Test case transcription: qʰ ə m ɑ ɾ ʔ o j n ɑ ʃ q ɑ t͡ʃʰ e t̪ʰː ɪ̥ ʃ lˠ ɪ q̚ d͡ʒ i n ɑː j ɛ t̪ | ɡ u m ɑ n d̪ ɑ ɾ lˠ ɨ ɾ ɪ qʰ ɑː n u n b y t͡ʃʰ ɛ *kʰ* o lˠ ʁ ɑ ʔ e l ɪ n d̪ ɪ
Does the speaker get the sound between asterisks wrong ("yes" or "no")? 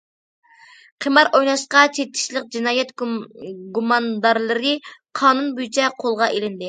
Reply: yes